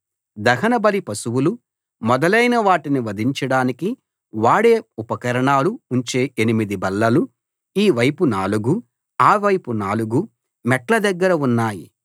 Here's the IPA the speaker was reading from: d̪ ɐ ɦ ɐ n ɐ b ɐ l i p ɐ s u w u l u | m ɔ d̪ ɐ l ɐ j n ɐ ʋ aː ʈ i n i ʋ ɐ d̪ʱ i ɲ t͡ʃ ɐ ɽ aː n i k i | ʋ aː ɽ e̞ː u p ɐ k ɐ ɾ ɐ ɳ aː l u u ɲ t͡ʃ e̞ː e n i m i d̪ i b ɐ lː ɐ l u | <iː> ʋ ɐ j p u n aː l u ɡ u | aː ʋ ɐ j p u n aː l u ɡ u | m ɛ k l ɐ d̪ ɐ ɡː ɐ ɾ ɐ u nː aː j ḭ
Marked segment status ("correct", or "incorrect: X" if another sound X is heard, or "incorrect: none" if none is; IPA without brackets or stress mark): correct